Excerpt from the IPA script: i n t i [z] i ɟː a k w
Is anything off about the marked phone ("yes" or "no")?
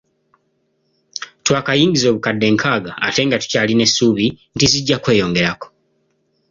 no